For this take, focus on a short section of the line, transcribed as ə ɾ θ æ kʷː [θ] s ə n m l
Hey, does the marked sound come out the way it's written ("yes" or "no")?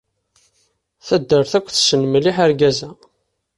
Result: yes